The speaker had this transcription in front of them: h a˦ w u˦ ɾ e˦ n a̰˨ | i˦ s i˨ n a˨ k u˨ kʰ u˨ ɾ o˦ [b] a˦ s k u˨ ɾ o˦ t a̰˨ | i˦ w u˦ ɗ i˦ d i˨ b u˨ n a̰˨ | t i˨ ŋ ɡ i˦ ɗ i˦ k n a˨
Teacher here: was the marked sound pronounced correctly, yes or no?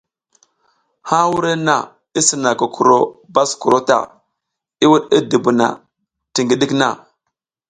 yes